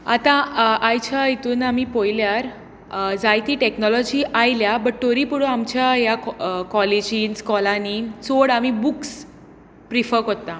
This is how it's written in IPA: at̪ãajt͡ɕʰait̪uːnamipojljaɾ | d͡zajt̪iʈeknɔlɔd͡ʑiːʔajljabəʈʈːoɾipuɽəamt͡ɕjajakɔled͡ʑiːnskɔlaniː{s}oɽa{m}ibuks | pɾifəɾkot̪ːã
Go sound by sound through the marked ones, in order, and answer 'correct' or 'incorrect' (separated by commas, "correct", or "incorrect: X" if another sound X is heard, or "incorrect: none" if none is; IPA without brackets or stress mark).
incorrect: t͡s, correct